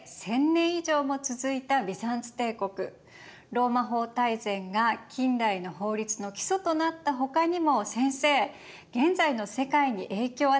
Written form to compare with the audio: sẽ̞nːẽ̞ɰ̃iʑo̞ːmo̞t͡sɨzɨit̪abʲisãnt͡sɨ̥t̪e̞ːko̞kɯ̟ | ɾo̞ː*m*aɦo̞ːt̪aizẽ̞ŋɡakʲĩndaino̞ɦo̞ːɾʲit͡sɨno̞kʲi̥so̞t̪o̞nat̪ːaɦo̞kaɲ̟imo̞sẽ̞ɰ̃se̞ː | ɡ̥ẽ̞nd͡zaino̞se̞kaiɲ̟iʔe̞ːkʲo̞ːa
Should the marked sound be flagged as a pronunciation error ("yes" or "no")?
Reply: no